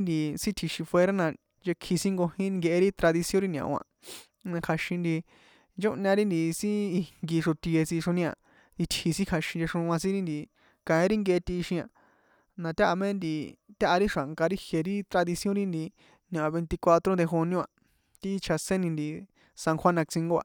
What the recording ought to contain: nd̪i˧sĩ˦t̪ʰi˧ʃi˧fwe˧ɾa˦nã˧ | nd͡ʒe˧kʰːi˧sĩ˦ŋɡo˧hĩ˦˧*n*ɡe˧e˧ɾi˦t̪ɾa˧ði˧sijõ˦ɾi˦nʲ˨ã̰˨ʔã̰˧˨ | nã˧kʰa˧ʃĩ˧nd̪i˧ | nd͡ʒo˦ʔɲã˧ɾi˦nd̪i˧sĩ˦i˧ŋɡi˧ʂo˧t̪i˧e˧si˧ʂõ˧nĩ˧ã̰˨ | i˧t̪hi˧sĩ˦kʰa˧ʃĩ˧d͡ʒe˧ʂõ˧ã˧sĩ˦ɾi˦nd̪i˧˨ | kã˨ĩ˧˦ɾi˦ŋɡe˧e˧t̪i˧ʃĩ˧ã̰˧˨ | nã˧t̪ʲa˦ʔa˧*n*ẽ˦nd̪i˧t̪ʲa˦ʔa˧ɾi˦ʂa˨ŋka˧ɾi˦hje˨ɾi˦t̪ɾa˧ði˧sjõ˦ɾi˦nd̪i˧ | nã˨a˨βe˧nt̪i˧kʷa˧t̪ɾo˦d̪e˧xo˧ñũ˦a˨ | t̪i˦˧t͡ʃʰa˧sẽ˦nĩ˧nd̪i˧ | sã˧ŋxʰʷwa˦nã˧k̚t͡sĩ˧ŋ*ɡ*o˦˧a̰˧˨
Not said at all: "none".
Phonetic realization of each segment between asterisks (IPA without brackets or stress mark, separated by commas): ŋ, m, ɡ